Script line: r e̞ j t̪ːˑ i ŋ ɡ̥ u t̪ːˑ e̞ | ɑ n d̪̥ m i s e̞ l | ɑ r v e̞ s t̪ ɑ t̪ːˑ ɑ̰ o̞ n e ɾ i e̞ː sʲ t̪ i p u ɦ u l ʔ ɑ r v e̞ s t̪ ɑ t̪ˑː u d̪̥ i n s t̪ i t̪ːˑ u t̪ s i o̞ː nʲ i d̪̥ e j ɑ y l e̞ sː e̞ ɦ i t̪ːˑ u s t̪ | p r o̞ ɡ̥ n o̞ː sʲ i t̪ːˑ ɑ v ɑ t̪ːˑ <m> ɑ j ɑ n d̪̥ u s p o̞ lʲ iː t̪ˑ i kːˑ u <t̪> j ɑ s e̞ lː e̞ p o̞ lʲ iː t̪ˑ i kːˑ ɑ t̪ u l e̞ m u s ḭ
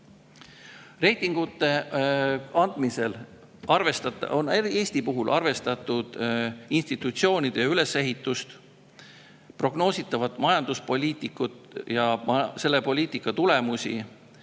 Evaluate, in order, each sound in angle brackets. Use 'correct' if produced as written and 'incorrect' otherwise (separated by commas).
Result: correct, correct